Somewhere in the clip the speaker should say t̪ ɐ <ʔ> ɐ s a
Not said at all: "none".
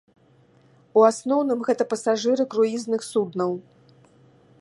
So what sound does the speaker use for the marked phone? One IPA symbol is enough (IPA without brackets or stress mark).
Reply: p